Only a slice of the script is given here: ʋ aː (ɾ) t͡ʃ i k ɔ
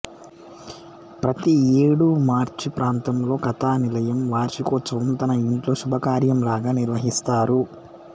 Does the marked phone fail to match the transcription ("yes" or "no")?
no